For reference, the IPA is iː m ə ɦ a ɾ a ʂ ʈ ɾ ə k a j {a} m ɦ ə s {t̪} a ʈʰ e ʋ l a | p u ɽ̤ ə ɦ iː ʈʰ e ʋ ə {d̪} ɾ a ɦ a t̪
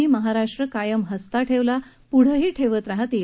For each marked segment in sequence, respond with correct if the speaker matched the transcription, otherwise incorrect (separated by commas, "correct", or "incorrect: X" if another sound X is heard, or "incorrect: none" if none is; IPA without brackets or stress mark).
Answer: incorrect: ə, correct, incorrect: t̪